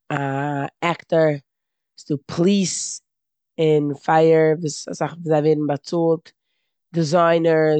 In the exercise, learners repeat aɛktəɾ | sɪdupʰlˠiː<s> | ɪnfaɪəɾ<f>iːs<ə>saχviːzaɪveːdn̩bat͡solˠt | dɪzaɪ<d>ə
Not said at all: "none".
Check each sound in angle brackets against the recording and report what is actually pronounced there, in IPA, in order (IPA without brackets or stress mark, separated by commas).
s, v, a, n